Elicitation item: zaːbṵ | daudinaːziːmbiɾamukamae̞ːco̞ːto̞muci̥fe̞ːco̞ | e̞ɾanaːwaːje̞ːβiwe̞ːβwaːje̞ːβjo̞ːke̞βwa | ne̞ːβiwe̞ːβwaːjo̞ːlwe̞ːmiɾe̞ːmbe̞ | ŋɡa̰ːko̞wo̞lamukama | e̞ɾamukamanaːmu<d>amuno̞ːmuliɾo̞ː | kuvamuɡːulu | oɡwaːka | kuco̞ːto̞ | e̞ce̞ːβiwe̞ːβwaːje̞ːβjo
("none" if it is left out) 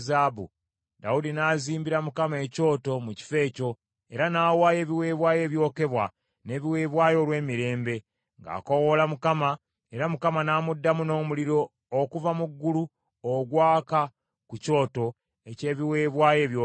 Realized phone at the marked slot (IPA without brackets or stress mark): dː